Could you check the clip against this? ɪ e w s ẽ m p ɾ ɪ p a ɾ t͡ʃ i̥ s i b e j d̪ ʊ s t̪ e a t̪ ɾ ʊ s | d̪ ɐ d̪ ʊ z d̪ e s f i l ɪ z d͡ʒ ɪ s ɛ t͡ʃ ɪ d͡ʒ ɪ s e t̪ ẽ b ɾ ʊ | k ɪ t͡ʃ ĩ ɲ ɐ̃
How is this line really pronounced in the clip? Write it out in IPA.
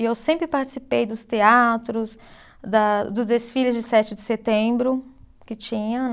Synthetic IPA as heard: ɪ e w s ẽ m p ɾ ɪ p a ɾ t͡ʃ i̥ s i p e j d̪ ʊ s t̪ e a t̪ ɾ ʊ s | d̪ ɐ d̪ ʊ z d̪ e s f i l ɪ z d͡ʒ ɪ s ɛ t͡ʃ ɪ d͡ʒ ɪ s e t̪ ẽ b ɾ ʊ | k ɪ t͡ʃ ĩ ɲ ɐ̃